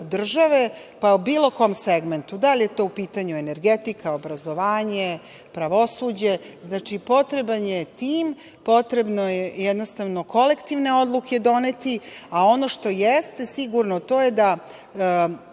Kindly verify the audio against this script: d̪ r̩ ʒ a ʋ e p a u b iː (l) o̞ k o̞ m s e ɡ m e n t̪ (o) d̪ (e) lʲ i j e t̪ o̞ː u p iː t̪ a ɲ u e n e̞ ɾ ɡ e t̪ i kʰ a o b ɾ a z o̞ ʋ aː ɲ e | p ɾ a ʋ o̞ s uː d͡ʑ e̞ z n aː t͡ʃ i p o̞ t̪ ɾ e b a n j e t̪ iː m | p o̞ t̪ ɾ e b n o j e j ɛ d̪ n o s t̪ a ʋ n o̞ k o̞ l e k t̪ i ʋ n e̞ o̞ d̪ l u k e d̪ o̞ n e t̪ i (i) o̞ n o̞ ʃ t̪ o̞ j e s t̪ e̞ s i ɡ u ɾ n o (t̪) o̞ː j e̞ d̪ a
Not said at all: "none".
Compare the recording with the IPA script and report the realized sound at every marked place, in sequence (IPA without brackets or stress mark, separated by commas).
l, u, a, a, t̪